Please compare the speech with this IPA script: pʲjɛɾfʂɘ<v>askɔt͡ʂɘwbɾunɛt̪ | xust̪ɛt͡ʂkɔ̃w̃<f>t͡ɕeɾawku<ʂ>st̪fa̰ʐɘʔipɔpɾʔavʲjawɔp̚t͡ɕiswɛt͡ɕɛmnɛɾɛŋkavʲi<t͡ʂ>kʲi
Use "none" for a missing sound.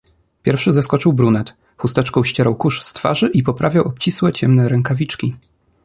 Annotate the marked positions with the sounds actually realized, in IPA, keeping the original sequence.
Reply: z, ɕ, ʂ, t͡ʂ

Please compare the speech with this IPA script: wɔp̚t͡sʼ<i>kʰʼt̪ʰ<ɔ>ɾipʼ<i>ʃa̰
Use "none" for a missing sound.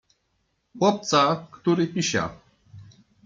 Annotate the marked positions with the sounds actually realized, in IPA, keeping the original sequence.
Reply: a, u, i

